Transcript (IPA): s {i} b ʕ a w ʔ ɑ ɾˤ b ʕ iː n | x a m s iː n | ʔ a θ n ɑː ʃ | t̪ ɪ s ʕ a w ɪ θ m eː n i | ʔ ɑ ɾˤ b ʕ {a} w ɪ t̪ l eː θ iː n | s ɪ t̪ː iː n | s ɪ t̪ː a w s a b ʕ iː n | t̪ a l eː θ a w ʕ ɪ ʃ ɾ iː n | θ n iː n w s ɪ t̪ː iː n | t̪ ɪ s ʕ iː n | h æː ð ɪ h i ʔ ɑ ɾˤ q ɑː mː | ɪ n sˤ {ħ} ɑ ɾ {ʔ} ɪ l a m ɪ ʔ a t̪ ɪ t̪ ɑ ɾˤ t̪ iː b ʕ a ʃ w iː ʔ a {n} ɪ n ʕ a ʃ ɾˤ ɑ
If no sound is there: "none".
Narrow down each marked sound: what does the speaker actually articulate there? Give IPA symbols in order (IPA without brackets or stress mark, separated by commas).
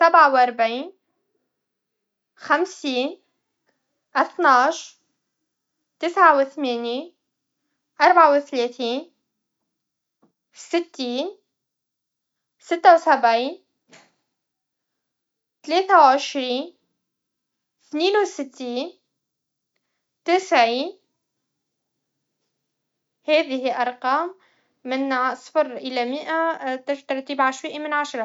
a, a, f, ʔ, m